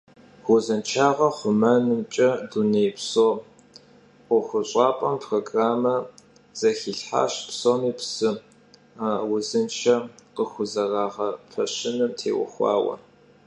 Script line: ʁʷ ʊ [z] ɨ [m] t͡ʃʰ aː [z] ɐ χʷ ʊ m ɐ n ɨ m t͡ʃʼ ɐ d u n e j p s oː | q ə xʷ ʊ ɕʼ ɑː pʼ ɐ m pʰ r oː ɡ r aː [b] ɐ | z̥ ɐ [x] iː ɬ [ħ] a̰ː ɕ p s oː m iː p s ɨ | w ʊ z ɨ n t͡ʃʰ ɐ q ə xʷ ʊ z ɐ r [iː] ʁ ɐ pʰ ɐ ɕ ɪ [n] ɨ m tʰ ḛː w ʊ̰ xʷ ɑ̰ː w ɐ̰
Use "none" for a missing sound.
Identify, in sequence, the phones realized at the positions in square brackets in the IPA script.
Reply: z, n, ʁ, m, x, ħ, aː, n

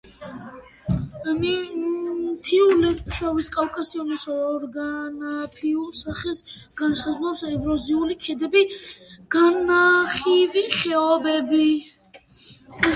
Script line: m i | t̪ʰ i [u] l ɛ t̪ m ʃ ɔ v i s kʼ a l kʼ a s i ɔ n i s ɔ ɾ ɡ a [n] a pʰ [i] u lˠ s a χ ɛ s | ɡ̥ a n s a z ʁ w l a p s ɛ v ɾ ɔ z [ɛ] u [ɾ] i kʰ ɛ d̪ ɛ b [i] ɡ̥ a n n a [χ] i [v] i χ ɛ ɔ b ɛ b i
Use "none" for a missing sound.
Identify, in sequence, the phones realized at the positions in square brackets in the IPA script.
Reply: u, n, i, i, l, i, χ, v

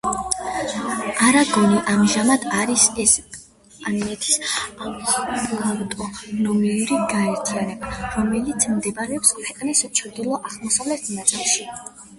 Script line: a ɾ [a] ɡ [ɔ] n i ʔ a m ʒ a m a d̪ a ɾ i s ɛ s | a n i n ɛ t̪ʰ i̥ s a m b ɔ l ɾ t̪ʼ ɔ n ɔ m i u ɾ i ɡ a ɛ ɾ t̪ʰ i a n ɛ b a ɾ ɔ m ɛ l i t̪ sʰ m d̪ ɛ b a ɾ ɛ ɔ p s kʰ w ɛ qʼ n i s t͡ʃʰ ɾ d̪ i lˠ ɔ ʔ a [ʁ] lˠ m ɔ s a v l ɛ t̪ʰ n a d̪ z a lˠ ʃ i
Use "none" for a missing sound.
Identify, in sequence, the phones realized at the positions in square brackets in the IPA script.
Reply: a, ɔ, ʁ

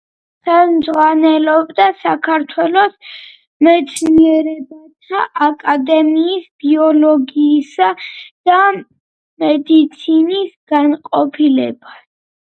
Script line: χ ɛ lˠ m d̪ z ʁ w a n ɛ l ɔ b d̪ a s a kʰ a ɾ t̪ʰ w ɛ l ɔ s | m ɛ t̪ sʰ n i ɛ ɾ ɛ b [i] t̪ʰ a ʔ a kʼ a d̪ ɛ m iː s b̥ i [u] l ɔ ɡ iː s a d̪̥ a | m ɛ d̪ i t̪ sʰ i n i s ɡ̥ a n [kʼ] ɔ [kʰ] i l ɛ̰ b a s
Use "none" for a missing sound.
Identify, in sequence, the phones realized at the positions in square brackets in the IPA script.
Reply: a, ɔ, qʼ, pʰ

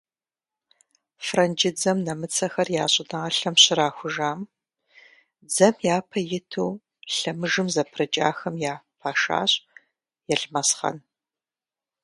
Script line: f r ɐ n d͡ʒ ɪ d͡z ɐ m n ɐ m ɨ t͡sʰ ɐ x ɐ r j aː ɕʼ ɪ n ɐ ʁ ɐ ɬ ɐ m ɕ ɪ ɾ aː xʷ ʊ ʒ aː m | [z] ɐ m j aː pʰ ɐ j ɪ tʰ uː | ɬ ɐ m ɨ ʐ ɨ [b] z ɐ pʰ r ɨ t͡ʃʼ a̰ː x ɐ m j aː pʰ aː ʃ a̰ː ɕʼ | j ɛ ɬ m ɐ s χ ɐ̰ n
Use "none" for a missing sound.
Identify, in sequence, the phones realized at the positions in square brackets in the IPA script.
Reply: d͡z, m

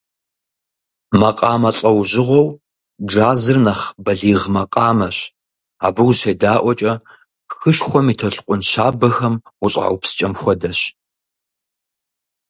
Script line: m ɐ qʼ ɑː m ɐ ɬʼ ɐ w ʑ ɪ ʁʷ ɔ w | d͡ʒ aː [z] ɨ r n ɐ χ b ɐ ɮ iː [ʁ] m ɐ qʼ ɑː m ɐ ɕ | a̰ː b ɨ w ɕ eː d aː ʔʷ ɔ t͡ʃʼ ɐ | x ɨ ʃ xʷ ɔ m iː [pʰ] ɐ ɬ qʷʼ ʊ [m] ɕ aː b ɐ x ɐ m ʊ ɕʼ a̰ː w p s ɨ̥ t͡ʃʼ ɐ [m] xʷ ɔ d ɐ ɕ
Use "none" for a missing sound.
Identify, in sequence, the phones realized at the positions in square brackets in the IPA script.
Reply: z, ʁ, tʰ, n, m

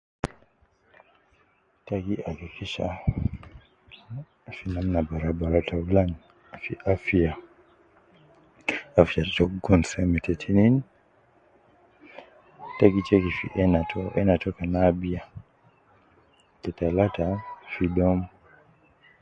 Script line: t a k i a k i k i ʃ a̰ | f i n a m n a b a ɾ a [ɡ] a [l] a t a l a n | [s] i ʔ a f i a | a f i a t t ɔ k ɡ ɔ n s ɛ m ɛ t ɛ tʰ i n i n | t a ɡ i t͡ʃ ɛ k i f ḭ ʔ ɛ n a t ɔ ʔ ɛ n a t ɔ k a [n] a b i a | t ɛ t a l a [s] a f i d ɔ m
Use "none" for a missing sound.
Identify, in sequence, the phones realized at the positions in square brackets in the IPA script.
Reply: b, ɾ, f, n, t

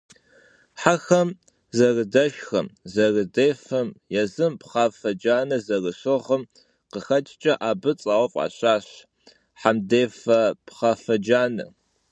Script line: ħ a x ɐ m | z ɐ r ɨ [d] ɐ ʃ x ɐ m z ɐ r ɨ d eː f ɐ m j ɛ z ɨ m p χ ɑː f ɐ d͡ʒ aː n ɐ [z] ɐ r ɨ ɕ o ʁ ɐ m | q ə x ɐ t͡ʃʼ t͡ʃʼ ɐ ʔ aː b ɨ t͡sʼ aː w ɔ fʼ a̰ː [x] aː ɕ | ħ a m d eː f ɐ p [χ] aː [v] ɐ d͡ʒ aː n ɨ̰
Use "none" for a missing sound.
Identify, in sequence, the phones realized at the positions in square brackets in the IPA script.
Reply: d, z, ɕ, χ, f

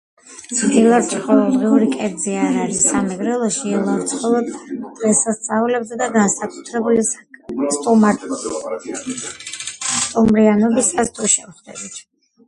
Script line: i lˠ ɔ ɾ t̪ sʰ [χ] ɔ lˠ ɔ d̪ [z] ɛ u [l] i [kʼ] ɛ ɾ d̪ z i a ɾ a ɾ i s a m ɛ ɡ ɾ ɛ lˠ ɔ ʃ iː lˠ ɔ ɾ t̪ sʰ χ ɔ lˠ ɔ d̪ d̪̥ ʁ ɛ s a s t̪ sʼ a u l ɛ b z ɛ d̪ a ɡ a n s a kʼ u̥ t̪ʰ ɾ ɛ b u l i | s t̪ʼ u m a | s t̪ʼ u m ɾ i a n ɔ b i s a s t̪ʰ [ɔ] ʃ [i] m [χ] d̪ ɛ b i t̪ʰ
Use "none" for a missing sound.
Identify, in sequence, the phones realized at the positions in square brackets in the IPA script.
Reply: χ, ʁ, ɾ, kʼ, u, ɛ, χ

